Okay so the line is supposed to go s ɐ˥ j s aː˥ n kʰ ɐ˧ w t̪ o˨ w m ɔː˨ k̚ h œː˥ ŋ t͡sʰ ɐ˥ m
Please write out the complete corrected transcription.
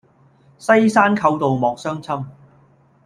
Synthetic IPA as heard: s ɐ˥ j s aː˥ n kʰ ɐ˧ w t̪ o˨ w m ɔː˨ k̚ s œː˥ ŋ t͡sʰ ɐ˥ m